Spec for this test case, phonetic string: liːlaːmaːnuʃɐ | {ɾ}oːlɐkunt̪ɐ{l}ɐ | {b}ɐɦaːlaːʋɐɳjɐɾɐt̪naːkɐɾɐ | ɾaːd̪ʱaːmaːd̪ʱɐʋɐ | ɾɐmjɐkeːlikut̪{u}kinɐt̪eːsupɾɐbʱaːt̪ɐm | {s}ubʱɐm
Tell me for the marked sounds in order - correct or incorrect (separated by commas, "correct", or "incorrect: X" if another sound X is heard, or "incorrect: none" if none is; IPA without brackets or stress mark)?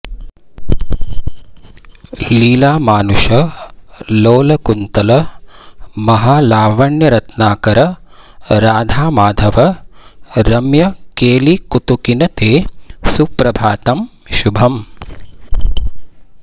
incorrect: l, correct, incorrect: m, correct, incorrect: ʃ